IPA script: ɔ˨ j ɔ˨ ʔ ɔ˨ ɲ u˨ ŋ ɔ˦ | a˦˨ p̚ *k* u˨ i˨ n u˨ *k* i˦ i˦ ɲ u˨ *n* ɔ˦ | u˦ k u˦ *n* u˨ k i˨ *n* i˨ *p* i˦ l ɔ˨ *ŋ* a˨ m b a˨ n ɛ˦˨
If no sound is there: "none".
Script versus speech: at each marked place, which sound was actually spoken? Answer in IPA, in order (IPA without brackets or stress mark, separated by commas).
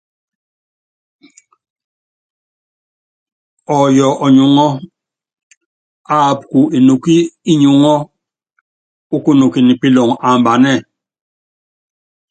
k, k, ŋ, n, n, p, ŋ